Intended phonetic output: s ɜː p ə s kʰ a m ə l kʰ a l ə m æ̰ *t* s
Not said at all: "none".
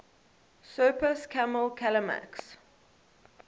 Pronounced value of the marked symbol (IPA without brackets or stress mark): k